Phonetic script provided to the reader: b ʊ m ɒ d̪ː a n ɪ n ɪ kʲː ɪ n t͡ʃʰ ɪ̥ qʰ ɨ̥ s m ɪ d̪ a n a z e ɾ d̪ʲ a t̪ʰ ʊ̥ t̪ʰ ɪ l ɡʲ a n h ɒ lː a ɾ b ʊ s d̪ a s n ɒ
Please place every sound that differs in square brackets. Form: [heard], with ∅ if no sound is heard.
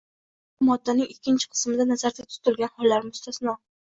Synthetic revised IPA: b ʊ m ɒ d̪ː a n ɪ [ŋ] ɪ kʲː ɪ n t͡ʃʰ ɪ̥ qʰ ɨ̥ s m ɪ d̪ a n a z [a] ɾ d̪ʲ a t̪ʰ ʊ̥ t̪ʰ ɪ l ɡʲ a n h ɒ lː a ɾ [m] ʊ s [t̪] a s n ɒ